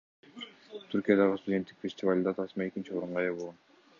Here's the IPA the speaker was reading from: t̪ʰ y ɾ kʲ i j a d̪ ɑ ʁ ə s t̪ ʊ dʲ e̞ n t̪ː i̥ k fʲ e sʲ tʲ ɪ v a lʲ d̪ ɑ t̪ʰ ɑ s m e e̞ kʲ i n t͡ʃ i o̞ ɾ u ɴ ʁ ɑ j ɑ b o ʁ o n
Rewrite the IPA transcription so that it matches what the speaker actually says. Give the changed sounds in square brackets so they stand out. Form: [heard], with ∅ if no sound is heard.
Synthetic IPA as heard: t̪ʰ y ɾ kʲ i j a d̪ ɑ ʁ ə s t̪ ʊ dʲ e̞ n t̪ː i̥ k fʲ e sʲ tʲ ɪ v a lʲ d̪ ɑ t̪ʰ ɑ s m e e̞ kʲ i n t͡ʃ i o̞ ɾ u ɴ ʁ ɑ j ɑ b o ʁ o n